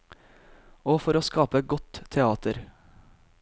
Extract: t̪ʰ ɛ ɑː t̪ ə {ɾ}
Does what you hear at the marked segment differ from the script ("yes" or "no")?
no